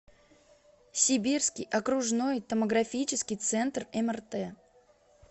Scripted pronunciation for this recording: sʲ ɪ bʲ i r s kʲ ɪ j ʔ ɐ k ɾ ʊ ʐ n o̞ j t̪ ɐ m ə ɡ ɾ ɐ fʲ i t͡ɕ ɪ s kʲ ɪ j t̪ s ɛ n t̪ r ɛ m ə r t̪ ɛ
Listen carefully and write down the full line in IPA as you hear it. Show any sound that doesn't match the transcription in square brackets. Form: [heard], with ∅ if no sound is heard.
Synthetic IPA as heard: sʲ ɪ bʲ i r s kʲ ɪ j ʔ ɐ k ɾ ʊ ʐ n o̞ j t̪ [ə] m ə ɡ ɾ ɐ fʲ i t͡ɕ ɪ s kʲ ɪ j t̪ s ɛ n t̪ r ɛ m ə r t̪ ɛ